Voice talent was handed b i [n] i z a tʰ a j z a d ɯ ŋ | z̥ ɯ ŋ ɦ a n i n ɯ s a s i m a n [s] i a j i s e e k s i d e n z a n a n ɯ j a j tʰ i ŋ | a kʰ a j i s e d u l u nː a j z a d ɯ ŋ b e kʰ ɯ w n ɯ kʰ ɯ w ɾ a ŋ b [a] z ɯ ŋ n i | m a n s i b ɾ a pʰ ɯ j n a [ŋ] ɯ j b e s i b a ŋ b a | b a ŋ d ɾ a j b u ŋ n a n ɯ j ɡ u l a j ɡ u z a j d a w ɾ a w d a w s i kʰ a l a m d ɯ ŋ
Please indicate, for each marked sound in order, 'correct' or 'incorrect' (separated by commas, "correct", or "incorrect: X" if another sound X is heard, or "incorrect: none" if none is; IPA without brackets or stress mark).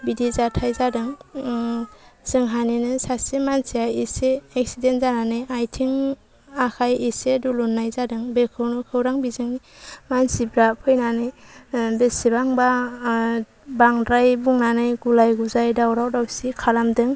incorrect: d, correct, incorrect: i, incorrect: n